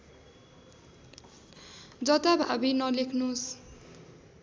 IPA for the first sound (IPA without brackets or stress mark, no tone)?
d͡z